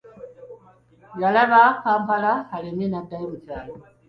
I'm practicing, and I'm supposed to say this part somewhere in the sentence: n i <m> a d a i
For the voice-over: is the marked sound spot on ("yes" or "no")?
no